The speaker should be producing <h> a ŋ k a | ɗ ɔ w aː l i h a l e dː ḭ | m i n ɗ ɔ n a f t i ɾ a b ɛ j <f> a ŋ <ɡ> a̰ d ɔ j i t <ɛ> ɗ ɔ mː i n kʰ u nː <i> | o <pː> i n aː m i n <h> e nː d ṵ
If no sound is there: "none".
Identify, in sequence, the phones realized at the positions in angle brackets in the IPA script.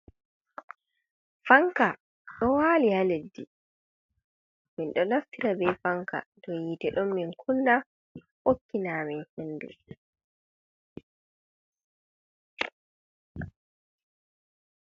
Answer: f, f, k, ɛ, a, kː, h

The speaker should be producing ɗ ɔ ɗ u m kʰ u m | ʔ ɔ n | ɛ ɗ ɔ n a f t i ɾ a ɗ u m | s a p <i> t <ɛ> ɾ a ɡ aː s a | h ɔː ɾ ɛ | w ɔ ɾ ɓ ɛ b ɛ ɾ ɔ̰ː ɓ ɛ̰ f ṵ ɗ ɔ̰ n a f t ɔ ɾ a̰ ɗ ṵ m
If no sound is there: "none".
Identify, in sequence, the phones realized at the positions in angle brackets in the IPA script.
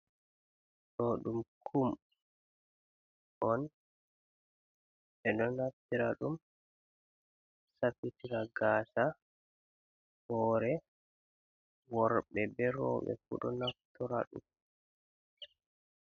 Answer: i, i

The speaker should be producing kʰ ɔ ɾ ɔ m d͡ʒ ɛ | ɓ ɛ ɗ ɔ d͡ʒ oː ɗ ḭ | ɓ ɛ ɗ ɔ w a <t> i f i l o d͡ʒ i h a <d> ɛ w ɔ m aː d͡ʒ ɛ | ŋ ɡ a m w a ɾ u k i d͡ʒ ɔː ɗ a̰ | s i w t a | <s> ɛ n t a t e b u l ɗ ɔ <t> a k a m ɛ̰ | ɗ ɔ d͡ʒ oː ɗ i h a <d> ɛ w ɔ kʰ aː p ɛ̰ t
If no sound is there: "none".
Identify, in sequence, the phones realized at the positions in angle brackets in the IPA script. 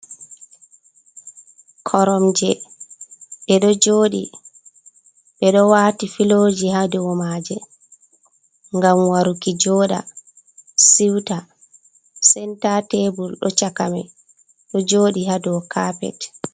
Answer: t, d, s, t͡ʃ, d

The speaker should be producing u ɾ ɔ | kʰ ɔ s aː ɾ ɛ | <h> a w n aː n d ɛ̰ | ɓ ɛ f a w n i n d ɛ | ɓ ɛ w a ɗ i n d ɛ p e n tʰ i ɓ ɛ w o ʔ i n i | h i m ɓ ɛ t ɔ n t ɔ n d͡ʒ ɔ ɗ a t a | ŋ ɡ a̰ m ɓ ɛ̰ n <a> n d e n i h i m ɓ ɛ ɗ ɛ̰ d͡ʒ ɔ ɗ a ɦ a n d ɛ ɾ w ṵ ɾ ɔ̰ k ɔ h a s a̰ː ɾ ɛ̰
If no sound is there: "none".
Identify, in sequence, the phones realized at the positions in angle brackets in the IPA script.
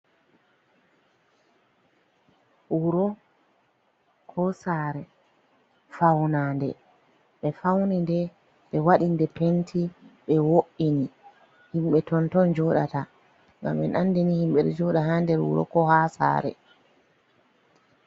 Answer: f, a

